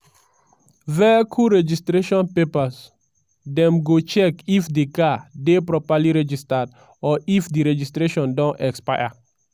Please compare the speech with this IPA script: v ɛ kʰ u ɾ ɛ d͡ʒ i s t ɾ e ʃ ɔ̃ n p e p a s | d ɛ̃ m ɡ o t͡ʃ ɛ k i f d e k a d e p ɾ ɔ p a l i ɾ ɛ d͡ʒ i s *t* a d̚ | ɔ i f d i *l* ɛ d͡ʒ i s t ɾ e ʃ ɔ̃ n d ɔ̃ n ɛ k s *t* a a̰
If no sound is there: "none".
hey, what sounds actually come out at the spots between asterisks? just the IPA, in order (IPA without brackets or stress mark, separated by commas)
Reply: t, ɾ, p